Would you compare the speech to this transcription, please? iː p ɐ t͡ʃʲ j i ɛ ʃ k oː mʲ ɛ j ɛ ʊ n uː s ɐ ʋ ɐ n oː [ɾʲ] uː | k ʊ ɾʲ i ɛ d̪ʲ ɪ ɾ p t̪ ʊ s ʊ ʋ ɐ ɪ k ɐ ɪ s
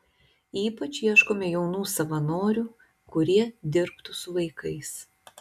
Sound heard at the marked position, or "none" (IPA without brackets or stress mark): ɾʲ